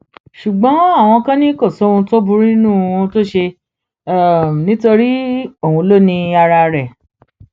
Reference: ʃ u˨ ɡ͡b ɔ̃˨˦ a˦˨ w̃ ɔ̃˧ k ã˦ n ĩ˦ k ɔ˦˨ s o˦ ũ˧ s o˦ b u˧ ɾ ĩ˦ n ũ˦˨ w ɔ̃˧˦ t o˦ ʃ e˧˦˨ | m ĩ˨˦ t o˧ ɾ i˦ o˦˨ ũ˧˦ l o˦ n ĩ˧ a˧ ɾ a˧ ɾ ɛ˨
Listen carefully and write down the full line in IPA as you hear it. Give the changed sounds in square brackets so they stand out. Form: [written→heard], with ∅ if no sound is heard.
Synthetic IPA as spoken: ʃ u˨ ɡ͡b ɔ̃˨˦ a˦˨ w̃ ɔ̃˧ k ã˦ n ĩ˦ k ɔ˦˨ s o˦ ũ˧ [s→t] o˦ b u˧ ɾ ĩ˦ n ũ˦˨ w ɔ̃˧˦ t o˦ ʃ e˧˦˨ | [m→n] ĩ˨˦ t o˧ ɾ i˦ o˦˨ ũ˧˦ l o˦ n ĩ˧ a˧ ɾ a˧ ɾ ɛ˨

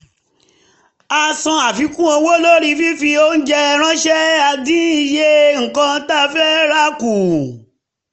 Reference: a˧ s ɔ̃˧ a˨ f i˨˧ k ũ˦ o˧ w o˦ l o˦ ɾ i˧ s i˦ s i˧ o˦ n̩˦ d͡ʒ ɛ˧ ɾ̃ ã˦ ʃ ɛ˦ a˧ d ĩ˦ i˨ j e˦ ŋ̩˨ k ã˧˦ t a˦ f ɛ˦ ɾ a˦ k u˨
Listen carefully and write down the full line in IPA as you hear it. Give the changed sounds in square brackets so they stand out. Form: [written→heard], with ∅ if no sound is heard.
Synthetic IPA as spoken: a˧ s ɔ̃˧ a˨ f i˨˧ k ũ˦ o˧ w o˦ l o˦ ɾ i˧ [s→f] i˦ [s→f] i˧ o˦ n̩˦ d͡ʒ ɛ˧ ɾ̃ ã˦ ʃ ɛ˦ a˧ d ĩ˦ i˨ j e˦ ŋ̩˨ k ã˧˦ t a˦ f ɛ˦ ɾ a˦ k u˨

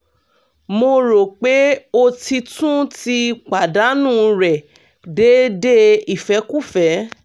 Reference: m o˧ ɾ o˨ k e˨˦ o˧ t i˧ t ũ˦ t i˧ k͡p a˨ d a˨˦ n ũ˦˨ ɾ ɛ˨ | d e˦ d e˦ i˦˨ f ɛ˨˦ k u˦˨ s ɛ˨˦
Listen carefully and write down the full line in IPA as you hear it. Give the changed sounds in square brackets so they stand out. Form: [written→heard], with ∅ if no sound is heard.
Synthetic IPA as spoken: m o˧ ɾ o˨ [k→k͡p] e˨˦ o˧ t i˧ t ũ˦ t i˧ k͡p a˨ d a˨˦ n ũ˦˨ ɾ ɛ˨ | d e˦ d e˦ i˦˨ f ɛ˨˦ k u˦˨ [s→f] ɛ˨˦

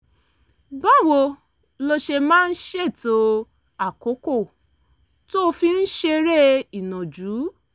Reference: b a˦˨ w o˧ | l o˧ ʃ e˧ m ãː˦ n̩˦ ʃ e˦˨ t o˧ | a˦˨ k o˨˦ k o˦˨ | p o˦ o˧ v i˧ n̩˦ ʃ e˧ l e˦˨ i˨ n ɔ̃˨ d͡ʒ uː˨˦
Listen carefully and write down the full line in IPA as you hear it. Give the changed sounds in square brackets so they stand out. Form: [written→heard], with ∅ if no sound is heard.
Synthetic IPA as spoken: b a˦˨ w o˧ | l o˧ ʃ e˧ m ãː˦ n̩˦ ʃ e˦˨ t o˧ | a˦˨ k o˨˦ k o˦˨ | [p→t] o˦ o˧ [v→f] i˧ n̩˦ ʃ e˧ [l→ɾ] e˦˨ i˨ n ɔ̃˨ d͡ʒ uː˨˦

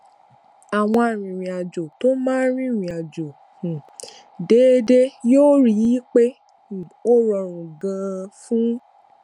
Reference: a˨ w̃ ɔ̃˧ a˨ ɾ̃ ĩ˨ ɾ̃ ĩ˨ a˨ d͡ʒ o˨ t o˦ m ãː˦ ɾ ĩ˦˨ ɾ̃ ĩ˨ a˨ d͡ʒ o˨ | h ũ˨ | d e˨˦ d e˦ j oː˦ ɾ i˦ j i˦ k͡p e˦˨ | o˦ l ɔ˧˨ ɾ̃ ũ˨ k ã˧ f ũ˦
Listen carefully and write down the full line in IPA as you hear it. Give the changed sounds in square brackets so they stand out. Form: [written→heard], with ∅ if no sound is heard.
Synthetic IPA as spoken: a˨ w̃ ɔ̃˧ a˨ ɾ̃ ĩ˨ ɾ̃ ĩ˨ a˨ d͡ʒ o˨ t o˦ m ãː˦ ɾ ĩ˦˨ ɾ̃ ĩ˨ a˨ d͡ʒ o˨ | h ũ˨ | d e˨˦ d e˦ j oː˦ ɾ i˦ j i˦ k͡p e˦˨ | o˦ [l→ɾ] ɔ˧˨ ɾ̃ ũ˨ [k→ɡ] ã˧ f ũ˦

